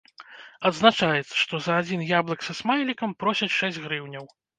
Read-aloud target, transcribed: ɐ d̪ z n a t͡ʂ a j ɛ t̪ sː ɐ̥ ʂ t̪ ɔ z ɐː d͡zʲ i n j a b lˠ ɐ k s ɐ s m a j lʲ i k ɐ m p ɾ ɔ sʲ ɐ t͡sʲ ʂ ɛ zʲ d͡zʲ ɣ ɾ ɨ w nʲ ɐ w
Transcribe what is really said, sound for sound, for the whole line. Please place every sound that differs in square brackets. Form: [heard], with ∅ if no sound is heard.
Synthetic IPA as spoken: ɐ d̪ z n a t͡ʂ a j ɛ t̪ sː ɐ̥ ʂ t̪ ɔ z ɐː d͡zʲ i n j a b lˠ ɐ k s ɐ s m a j lʲ i k ɐ m p ɾ ɔ sʲ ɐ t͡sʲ ʂ ɛ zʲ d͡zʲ ɣ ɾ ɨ w nʲ ɐ w